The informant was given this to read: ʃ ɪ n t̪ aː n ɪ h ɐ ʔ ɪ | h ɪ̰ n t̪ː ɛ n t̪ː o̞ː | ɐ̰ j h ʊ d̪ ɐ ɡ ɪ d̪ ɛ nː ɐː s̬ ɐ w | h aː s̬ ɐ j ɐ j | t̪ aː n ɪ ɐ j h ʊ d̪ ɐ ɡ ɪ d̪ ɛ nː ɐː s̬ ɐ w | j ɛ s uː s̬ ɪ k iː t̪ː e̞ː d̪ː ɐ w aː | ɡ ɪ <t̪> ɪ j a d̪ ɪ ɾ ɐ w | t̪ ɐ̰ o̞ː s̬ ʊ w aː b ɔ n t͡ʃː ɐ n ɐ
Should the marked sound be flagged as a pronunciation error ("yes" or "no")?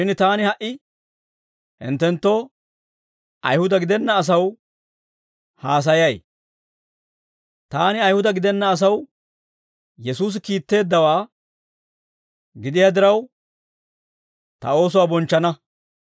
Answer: yes